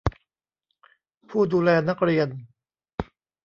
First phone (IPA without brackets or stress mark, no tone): pʰ